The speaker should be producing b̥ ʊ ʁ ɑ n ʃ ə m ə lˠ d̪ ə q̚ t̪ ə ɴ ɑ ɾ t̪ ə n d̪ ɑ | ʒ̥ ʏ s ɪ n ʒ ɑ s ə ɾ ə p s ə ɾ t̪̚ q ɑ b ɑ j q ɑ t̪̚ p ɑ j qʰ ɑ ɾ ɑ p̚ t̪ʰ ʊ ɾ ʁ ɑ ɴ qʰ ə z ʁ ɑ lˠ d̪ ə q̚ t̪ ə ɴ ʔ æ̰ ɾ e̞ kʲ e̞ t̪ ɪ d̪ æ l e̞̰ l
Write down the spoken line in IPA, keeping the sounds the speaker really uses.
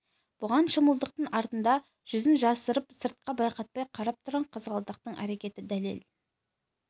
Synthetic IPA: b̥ ʊ ʁ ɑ n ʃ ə m ə lˠ d̪ ə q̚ t̪ ə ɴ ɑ ɾ t̪ ə n d̪ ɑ | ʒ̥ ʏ z ɪ n ʒ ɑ s ə ɾ ə p s ə ɾ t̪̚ q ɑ b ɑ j q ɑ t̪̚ p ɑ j qʰ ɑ ɾ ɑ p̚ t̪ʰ ʊ ɾ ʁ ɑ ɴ qʰ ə z ʁ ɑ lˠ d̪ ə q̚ t̪ ə ɴ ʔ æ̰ ɾ e̞ kʲ e̞ t̪ ɪ d̪ æ l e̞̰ l